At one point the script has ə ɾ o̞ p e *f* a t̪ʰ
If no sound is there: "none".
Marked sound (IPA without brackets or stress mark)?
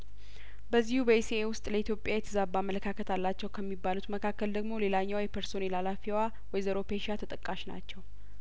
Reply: ʃ